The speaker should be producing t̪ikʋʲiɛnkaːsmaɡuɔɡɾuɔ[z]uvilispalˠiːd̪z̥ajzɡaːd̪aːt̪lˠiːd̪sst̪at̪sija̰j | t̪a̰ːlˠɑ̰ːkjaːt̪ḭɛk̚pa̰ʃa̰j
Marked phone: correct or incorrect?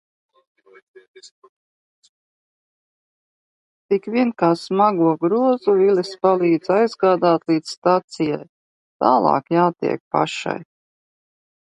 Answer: correct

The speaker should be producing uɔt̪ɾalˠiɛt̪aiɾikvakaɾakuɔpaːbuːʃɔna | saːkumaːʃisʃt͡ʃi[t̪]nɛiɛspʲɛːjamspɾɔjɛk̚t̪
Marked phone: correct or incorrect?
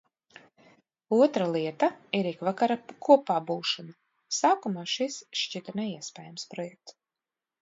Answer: correct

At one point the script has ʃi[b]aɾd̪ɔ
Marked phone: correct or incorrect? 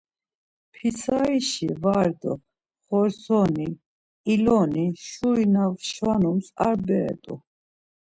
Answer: incorrect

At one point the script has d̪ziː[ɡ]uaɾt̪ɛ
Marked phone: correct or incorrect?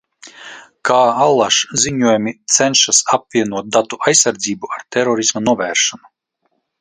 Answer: incorrect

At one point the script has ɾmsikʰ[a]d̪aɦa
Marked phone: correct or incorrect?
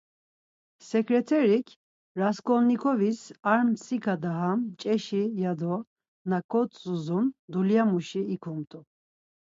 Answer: correct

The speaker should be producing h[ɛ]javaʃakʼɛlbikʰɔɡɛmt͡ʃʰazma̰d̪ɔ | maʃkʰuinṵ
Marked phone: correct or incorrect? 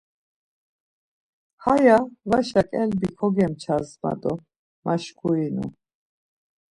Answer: incorrect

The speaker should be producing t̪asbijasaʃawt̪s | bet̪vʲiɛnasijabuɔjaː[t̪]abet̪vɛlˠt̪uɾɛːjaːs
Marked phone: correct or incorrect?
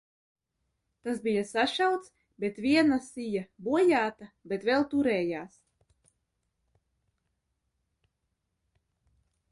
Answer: correct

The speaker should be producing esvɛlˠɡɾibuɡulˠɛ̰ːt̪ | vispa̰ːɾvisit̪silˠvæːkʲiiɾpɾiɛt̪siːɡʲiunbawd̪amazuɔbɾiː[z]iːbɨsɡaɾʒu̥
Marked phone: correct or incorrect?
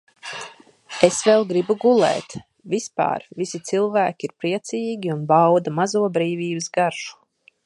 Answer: incorrect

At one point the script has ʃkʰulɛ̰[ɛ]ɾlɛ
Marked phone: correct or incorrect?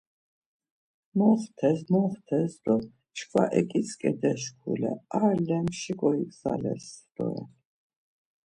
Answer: incorrect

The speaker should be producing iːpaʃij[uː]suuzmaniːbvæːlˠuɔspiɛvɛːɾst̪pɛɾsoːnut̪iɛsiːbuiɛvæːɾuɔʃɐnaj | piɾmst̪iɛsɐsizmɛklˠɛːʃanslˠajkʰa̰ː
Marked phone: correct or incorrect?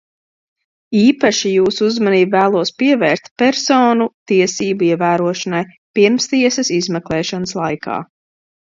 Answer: correct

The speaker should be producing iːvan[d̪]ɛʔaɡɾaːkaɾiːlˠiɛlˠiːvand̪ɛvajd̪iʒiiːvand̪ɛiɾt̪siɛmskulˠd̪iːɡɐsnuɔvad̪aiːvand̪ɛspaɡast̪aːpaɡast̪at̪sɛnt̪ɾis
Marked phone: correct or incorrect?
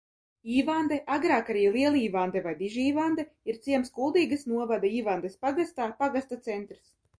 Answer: correct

